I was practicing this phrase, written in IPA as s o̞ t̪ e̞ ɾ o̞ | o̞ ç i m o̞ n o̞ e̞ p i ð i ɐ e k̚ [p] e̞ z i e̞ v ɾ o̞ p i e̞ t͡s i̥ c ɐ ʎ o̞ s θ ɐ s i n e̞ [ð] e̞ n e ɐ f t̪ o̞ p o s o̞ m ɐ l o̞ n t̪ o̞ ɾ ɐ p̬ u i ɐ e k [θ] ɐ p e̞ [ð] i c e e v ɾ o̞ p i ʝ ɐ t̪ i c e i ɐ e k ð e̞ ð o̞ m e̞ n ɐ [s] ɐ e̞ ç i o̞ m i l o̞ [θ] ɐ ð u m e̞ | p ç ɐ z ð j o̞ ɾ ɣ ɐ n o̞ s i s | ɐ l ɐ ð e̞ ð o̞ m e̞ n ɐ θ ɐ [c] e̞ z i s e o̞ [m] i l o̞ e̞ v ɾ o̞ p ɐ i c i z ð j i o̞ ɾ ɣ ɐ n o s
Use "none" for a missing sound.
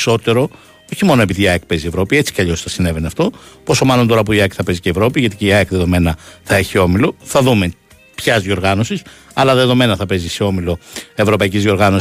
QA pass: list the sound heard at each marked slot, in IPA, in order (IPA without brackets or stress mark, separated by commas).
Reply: p, v, θ, z, θ, θ, p, m